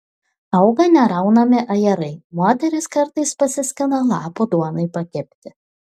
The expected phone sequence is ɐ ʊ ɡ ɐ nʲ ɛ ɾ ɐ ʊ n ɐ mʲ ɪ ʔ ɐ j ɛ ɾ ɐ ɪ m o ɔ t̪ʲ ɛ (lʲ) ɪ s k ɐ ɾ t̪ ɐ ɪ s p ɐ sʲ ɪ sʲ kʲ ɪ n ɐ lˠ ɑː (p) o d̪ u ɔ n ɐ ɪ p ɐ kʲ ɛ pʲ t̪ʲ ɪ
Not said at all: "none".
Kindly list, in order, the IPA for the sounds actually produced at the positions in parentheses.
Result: ɾʲ, p

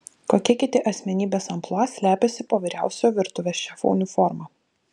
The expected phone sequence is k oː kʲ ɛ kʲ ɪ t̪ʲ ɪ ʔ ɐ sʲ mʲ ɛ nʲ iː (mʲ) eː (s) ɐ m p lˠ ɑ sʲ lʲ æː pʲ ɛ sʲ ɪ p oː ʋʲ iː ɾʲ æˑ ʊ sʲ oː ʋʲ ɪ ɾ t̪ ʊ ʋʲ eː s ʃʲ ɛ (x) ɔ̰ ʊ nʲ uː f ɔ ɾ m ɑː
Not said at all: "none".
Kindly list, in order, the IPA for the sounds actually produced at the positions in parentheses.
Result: bʲ, s, f

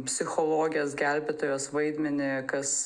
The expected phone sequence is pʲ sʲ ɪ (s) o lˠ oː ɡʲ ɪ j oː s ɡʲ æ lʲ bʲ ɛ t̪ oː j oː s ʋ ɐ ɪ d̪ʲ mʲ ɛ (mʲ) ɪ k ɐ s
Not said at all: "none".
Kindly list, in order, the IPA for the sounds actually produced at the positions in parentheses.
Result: x, nʲ

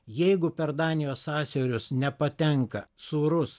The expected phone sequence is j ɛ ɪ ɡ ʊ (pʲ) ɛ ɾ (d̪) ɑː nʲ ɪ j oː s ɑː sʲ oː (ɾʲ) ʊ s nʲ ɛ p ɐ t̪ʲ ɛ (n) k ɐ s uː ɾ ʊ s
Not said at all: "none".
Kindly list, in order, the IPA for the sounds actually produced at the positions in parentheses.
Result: pʲ, d̪, ɾʲ, ŋ

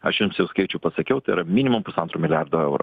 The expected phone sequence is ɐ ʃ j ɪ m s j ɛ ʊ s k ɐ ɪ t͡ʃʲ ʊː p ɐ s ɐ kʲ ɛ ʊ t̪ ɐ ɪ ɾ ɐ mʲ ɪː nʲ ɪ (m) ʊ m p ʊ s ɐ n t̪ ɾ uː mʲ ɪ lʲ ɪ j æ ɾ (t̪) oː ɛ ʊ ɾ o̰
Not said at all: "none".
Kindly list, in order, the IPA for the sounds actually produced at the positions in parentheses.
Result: m, d̪

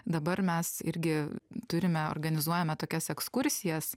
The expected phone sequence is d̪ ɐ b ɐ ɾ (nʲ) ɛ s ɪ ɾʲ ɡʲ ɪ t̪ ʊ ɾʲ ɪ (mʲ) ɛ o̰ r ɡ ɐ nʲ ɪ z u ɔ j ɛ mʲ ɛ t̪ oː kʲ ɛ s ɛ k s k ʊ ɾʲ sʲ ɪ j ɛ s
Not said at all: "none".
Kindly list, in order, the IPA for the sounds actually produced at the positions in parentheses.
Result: mʲ, mʲ

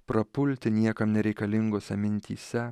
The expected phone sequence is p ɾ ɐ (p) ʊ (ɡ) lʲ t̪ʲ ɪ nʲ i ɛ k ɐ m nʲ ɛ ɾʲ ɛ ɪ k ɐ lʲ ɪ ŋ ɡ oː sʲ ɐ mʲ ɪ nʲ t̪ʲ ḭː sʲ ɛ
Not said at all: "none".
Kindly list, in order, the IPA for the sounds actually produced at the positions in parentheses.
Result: p, none

